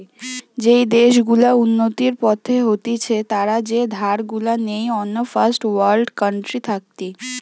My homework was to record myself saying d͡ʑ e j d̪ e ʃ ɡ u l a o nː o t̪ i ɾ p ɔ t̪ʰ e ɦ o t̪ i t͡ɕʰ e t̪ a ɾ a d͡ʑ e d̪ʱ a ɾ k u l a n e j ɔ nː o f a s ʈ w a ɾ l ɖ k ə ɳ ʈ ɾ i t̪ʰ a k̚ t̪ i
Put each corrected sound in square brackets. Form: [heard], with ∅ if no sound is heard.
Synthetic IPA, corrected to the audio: d͡ʑ e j d̪ e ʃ ɡ u l a [u] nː o t̪ i ɾ p ɔ t̪ʰ e ɦ o t̪ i t͡ɕʰ e t̪ a ɾ a d͡ʑ e d̪ʱ a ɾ [ɡ] u l a n e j ɔ nː o f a s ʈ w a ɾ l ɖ k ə ɳ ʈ ɾ i t̪ʰ a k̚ t̪ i